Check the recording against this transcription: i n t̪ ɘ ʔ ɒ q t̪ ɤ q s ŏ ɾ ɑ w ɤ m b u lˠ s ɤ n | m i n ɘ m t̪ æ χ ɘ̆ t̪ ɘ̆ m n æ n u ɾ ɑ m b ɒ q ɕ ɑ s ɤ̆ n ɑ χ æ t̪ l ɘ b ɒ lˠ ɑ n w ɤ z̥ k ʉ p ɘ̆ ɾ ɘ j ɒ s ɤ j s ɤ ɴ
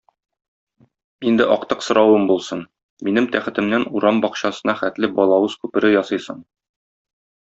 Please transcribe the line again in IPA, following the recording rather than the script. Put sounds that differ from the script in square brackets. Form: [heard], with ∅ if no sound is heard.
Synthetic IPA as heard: i n [d̪] ɘ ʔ ɒ q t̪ ɤ q s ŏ ɾ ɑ w ɤ m b u lˠ s ɤ n | m i n ɘ m t̪ æ χ ɘ̆ t̪ ɘ̆ m n æ n u ɾ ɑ m b ɒ q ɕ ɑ s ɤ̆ n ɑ χ æ t̪ l ɘ b ɒ lˠ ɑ [∅] w ɤ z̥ k ʉ p ɘ̆ ɾ ɘ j ɒ s ɤ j s ɤ ɴ

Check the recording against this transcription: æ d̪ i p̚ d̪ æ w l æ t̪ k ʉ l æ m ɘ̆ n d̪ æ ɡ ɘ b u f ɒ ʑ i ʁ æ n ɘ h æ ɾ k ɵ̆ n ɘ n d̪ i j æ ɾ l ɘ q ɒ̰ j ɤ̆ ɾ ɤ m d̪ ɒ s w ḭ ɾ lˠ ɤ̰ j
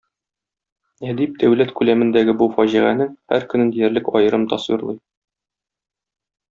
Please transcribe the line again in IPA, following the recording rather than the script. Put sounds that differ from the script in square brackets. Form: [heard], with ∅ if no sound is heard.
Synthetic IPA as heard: æ d̪ i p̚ d̪ æ w l æ t̪ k ʉ l æ m ɘ̆ n d̪ æ ɡ ɘ b u f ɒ ʑ i ʁ æ n ɘ h æ ɾ k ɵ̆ n ɘ n d̪ i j æ ɾ l ɘ [k] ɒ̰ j ɤ̆ ɾ ɤ m [t̪] ɒ s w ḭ ɾ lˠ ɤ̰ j

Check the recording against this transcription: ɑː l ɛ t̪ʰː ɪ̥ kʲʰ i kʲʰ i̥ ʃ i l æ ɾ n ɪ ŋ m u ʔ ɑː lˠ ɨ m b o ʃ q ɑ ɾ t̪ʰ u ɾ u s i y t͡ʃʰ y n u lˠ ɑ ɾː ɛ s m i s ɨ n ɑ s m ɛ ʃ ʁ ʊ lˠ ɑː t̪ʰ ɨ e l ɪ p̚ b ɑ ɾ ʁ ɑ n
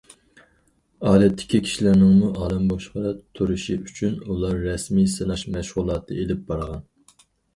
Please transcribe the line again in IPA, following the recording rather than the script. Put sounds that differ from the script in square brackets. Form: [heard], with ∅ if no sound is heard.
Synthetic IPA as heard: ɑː l ɛ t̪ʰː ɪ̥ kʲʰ i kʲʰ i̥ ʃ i l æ ɾ n ɪ ŋ m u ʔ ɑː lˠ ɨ m b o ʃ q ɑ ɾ t̪ʰ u ɾ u [ʃ] i y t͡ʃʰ y n u lˠ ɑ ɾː ɛ s m i s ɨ n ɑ [ʃ] m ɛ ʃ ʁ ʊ lˠ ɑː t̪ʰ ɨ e l ɪ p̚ b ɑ ɾ ʁ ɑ n

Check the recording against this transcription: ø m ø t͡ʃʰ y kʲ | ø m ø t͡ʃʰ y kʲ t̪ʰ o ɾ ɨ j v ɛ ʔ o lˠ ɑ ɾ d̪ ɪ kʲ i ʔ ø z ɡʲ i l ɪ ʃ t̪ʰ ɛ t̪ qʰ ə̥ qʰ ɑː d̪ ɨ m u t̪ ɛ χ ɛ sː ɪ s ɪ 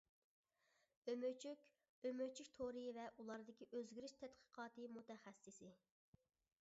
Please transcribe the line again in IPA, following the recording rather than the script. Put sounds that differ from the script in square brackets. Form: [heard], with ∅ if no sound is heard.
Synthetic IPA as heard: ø m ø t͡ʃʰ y kʲ | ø m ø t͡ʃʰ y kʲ t̪ʰ o ɾ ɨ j v ɛ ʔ [u] lˠ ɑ ɾ d̪ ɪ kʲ i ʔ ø z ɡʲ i [ɾ] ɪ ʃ t̪ʰ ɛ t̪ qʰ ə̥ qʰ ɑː [t̪] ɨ m u t̪ ɛ χ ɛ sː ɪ s ɪ

